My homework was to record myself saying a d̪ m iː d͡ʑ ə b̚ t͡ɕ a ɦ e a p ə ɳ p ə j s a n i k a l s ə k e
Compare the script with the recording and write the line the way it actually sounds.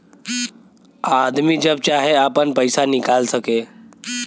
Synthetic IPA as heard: a d̪ m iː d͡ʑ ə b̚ t͡ɕ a ɦ e a p ə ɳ p ə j s a n i k a l s ə k e